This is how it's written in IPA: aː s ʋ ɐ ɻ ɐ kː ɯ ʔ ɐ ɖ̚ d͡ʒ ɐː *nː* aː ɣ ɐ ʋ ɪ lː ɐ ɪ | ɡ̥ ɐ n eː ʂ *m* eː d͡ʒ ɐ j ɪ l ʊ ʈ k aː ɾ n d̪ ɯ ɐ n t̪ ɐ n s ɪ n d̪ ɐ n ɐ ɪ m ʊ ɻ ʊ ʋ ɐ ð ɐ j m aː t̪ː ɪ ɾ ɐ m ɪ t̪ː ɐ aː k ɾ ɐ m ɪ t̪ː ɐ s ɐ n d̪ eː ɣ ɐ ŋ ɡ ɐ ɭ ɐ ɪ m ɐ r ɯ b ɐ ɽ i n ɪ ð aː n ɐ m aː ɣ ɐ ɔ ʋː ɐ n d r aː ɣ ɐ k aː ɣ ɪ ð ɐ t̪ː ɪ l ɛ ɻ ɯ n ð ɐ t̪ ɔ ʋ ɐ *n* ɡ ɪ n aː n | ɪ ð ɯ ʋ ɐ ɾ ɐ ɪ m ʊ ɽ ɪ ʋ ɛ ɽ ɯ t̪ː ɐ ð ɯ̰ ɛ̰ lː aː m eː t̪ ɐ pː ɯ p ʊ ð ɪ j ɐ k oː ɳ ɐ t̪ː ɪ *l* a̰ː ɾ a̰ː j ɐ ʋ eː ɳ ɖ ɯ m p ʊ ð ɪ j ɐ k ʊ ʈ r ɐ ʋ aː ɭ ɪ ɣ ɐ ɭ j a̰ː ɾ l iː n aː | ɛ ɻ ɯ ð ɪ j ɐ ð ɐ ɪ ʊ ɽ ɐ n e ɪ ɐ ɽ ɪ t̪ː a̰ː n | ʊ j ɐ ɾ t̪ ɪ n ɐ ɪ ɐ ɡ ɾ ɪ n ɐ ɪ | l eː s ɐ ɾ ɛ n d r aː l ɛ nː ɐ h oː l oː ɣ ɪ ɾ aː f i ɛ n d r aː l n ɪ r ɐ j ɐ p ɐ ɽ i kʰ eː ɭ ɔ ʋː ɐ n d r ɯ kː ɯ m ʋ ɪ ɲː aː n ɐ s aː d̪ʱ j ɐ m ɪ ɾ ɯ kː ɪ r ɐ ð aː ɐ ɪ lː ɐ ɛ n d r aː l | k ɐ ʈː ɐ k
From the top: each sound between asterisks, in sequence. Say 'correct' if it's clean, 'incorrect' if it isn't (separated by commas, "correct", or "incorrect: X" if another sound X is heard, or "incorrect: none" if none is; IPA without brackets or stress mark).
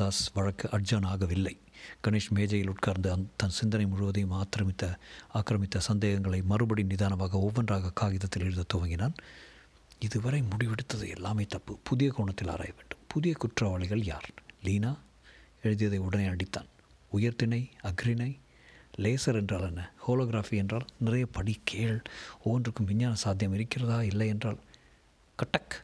incorrect: n, correct, incorrect: ŋ, correct